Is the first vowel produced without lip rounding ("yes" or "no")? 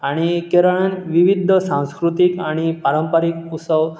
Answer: yes